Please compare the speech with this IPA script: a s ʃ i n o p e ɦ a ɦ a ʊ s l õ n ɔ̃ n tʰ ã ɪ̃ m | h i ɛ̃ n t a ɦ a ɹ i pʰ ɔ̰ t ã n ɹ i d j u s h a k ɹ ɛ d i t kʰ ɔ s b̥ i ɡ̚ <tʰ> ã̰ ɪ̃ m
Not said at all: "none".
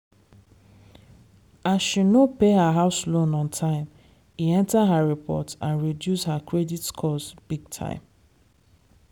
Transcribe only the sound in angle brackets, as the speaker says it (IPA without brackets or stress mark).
tʰ